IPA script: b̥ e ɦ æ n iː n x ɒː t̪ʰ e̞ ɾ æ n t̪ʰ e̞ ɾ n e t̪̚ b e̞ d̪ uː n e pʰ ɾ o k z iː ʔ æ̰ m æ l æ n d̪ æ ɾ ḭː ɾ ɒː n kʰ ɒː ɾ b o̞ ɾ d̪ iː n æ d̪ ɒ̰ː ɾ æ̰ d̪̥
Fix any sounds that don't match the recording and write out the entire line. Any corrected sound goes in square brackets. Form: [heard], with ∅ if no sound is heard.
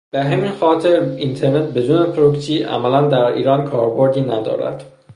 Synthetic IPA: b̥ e ɦ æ [m] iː n x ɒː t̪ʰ e̞ ɾ [i] n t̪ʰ e̞ ɾ n e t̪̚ b e̞ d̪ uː n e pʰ ɾ o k [s] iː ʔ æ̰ m æ l æ n d̪ æ ɾ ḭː ɾ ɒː n kʰ ɒː ɾ b o̞ ɾ d̪ iː n æ d̪ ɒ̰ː ɾ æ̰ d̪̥